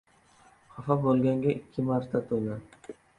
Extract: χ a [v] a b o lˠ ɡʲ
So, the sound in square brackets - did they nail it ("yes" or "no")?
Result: no